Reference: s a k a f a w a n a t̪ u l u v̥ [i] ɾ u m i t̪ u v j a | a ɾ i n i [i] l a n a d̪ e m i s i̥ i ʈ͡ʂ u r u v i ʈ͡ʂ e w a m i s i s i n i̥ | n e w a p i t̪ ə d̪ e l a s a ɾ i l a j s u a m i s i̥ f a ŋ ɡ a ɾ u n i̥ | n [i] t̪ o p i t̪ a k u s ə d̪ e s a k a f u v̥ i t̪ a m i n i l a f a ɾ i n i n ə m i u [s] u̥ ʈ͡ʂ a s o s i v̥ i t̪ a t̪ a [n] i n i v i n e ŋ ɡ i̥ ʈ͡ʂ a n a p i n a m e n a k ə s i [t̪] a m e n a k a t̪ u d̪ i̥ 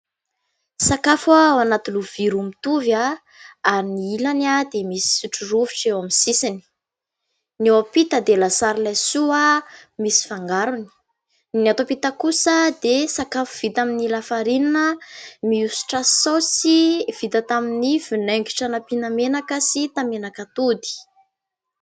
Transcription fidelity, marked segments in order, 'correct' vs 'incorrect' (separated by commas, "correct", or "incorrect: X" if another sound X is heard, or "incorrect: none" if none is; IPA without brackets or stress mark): correct, correct, incorrect: a, correct, incorrect: m, correct